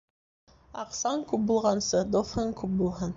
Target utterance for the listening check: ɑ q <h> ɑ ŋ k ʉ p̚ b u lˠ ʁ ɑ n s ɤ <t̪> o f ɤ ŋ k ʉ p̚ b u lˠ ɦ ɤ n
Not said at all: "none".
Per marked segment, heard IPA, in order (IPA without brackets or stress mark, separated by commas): s, d̪